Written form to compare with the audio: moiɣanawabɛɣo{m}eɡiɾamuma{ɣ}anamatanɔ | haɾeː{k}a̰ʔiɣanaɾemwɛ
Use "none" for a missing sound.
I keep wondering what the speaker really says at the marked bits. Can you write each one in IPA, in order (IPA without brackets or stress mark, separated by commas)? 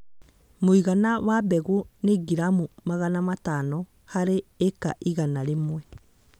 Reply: n, ɣ, k